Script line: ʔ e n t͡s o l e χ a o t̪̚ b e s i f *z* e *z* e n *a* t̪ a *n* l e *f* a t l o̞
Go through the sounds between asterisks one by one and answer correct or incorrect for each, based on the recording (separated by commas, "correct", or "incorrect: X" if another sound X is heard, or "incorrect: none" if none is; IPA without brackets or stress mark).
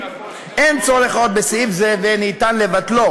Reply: correct, incorrect: v, incorrect: i, correct, incorrect: v